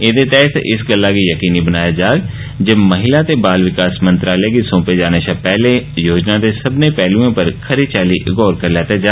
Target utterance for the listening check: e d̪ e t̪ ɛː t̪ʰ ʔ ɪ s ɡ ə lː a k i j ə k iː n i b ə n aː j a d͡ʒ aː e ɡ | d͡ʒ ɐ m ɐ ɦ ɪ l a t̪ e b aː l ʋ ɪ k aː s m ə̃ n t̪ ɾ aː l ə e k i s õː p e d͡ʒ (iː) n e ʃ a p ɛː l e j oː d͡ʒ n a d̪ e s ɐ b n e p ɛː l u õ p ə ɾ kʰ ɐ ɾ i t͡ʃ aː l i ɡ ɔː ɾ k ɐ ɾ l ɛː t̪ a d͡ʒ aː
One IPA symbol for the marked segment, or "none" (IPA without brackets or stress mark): aː